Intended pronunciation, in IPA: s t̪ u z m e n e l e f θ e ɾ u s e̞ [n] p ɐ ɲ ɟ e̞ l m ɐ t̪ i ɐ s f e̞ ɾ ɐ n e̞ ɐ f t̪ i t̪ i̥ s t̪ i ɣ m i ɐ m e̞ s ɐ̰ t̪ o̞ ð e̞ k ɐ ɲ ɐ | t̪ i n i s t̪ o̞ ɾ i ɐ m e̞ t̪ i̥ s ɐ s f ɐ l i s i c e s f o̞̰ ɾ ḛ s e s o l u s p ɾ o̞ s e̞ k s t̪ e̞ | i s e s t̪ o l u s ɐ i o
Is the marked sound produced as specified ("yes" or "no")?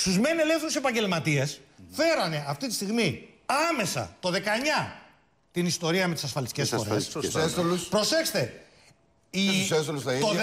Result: no